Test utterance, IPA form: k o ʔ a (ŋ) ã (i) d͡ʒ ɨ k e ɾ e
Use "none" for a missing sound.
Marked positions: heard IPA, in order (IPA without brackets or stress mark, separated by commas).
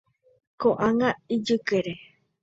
ŋ, i